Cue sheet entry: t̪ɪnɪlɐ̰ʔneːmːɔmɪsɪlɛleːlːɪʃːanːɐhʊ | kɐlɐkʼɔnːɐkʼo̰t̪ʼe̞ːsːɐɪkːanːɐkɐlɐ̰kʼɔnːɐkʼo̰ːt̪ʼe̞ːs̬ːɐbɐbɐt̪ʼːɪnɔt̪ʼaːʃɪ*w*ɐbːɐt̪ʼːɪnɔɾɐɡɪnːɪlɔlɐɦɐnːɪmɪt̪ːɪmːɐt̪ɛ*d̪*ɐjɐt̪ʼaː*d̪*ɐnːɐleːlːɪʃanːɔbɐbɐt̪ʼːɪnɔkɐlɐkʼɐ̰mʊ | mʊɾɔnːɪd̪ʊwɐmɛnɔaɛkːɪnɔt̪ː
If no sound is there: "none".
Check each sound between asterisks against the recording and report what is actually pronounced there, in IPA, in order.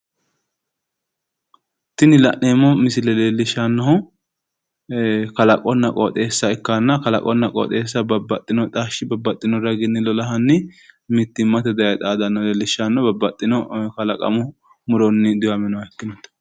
b, d̪, d̪

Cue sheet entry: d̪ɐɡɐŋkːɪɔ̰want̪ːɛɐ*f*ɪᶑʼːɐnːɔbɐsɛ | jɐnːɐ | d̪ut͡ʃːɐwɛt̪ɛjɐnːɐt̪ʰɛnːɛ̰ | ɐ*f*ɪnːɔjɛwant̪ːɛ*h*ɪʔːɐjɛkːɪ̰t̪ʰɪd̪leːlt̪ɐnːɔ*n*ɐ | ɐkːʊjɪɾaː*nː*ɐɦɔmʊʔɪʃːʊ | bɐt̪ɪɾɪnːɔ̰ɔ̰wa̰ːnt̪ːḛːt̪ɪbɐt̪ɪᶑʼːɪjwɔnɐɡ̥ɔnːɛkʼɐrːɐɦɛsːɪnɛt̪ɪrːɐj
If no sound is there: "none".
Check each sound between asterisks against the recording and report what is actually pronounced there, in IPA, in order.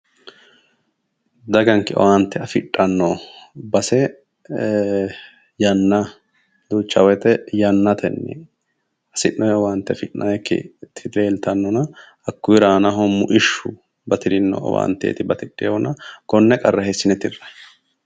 f, s, f, n, n

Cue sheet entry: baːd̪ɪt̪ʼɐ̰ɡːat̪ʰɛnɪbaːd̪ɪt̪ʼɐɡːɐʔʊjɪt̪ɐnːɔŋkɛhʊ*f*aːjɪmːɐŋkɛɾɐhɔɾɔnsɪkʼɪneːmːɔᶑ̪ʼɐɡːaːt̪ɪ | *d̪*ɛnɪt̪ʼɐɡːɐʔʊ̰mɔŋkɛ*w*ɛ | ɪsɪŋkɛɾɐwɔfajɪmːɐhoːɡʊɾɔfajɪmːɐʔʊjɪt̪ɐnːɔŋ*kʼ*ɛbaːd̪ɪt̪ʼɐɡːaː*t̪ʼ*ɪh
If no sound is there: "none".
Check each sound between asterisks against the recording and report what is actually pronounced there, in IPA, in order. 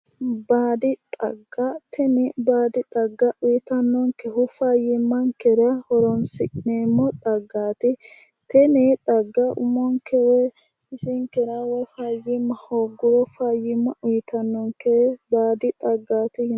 f, t̪, w, k, t̪

